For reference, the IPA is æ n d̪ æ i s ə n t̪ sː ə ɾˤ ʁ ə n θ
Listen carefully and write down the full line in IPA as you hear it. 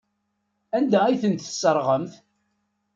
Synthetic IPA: æ n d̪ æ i θ ə n t̪ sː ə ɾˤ ʁ ə m θ